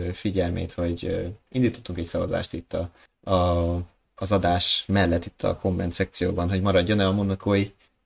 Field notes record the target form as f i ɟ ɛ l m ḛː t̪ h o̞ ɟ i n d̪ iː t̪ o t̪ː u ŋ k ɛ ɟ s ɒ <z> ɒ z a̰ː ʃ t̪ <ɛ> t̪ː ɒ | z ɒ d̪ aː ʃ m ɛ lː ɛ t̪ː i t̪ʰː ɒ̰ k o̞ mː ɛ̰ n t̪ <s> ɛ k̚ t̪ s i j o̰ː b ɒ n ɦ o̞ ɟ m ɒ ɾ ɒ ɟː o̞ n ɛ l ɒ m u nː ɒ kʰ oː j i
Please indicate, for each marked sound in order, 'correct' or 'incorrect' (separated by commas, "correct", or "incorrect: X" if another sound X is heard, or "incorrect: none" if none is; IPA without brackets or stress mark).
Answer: incorrect: v, incorrect: i, correct